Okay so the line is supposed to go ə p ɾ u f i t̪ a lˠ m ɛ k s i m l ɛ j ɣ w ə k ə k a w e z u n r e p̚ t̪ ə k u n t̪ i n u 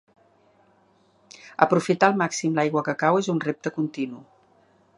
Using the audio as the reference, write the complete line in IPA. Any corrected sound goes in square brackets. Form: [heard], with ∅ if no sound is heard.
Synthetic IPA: ə p ɾ u f i t̪ a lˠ m [a] k s i m l [a] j ɣ w ə k ə k a w e z u n r e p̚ t̪ ə k u n t̪ i n u